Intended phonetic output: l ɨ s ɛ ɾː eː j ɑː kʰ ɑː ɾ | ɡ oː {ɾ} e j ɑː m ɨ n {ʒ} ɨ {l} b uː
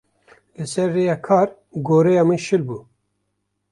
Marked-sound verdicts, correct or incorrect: correct, incorrect: ʃ, correct

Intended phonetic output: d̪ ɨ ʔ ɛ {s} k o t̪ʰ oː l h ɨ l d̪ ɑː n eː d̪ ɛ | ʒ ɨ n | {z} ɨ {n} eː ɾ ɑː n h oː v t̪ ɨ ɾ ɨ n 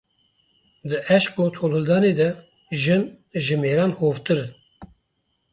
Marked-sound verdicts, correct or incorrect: incorrect: ʃ, incorrect: ʒ, incorrect: m

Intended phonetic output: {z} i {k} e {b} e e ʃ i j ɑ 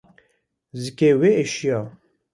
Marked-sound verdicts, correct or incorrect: correct, correct, incorrect: w

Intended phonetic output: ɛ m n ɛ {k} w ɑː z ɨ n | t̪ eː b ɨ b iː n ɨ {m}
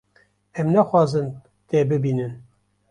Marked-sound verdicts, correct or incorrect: incorrect: x, incorrect: n

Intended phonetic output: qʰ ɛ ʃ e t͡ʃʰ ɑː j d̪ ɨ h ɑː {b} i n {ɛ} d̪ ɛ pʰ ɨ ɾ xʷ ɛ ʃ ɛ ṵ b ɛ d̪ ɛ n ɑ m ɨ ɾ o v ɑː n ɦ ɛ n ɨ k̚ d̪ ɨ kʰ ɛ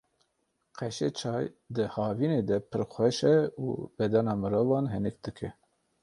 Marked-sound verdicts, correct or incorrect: incorrect: v, incorrect: e

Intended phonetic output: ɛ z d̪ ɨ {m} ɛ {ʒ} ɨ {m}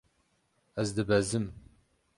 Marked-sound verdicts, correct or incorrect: incorrect: b, incorrect: z, correct

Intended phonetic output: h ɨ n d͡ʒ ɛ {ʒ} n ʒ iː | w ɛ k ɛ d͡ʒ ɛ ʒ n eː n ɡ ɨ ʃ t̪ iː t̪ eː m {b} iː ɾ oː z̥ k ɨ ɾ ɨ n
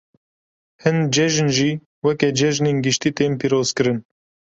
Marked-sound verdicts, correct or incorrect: correct, incorrect: p

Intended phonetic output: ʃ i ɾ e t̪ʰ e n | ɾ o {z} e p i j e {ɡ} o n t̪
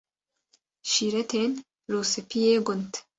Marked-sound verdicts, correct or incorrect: incorrect: s, correct

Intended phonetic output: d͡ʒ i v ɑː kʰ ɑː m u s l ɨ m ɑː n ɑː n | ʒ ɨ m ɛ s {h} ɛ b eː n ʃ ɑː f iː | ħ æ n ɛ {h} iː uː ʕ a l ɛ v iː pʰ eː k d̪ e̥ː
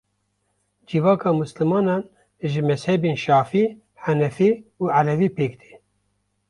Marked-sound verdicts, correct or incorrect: correct, incorrect: f

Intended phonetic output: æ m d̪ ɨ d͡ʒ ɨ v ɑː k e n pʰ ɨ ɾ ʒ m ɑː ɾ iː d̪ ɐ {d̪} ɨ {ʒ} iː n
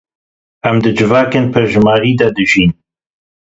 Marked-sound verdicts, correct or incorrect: correct, correct

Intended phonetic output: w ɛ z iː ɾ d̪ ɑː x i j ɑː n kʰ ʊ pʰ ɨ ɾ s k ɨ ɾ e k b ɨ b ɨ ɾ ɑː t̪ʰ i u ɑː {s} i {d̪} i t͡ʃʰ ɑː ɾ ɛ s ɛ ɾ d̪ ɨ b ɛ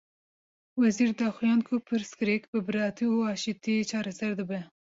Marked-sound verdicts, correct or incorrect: incorrect: ʃ, incorrect: t̪

